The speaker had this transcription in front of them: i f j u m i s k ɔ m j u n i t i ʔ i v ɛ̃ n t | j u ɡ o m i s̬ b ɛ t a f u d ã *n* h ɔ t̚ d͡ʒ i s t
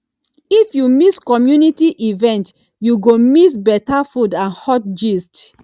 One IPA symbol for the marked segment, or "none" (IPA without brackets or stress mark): n